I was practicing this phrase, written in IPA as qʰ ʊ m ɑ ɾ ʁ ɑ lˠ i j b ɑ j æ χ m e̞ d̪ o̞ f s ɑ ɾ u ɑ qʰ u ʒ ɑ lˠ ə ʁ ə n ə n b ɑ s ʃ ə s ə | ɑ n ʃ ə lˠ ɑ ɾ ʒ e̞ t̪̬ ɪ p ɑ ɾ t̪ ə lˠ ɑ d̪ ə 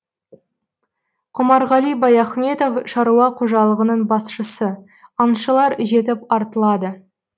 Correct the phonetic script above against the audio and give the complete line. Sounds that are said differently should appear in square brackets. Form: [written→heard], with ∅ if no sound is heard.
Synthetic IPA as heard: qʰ ʊ m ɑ ɾ ʁ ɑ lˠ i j b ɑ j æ χ m e̞ [d̪→t̪] o̞ f [s→ʃ] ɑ ɾ u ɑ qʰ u ʒ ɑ lˠ ə ʁ ə n ə [n→ɴ] b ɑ s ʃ ə s ə | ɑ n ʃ ə lˠ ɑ ɾ ʒ e̞ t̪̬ ɪ p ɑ ɾ t̪ ə lˠ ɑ d̪ ə